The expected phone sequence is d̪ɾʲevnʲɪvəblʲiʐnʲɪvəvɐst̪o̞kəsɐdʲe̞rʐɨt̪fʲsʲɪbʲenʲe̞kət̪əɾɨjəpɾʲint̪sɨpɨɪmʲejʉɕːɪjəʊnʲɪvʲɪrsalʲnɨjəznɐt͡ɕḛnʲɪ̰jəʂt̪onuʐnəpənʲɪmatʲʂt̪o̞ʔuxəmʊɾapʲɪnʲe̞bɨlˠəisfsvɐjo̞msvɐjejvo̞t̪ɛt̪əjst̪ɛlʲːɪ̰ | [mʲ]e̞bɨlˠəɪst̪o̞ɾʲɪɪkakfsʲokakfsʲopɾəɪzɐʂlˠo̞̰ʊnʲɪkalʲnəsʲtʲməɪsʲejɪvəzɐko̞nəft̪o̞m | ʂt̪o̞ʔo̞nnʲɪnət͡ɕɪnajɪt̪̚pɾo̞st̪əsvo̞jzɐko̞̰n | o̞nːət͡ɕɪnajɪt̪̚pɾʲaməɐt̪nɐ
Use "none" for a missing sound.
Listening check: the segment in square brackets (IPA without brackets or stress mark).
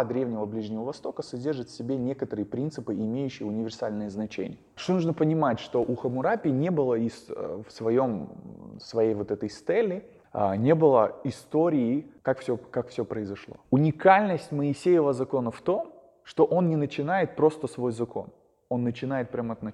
nʲ